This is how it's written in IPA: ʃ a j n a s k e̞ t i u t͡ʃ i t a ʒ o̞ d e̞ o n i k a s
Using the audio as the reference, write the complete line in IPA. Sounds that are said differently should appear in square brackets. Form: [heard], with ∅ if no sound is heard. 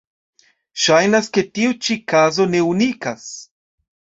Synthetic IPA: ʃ a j n a s k e̞ t i u t͡ʃ i [k] a [z] o̞ [n] e̞ [u] n i k a s